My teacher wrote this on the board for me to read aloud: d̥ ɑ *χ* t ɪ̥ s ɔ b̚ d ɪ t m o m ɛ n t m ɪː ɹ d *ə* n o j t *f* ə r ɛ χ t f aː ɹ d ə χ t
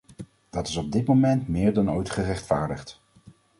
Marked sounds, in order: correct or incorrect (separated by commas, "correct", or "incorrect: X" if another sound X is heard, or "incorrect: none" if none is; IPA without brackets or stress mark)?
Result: incorrect: none, incorrect: ɑ, incorrect: χ